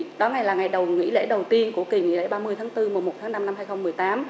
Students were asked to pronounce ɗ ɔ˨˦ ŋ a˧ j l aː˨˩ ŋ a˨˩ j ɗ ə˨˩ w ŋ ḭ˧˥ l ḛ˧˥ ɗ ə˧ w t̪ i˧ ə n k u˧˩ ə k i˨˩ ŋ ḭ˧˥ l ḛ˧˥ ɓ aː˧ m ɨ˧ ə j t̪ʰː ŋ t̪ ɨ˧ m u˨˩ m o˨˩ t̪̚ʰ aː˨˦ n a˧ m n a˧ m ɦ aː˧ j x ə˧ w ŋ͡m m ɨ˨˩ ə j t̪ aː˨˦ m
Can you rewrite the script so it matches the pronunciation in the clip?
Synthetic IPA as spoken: ɗ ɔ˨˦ ŋ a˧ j l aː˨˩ ŋ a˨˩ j ɗ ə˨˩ w ŋ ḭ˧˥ l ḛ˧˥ ɗ ə˨˩ w t̪ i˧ ə n k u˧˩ ə k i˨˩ ŋ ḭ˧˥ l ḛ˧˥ ɓ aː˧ m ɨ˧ ə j t̪ʰː ŋ t̪ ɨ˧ m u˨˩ m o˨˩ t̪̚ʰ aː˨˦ n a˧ m n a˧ m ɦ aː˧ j x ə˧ w ŋ͡m m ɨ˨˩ ə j t̪ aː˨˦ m